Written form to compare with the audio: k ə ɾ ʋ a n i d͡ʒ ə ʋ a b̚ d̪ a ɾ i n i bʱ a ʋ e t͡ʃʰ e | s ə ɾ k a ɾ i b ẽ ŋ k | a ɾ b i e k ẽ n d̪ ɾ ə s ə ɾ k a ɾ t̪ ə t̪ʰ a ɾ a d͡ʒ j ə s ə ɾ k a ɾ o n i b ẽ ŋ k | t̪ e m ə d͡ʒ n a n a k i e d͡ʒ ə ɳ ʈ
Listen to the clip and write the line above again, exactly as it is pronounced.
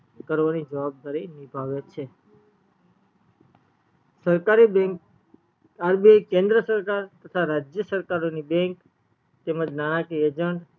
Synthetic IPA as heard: k ə ɾ ʋ a n i d͡ʒ ə ʋ a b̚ d̪ a ɾ i n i bʱ a ʋ e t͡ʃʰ e | s ə ɾ k a ɾ i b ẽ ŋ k | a ɾ b i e k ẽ n d̪ ɾ ə s ə ɾ k a ɾ t̪ ə t̪ʰ a ɾ a d͡ʒ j ə s ə ɾ k a ɾ o n i b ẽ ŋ k | t̪ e m ə d͡ʒ n a n a k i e d͡ʒ ə ɳ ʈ